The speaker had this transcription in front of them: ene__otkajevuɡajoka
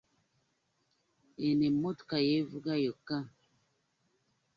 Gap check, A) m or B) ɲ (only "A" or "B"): A